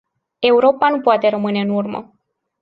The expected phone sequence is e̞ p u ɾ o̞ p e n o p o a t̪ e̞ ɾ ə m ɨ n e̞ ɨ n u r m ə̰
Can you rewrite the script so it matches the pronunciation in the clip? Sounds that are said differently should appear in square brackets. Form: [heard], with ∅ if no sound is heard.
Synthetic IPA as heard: e̞ [∅] u ɾ o̞ p [a] n [u] p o a t̪ e̞ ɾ ə m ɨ n e̞ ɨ n u r m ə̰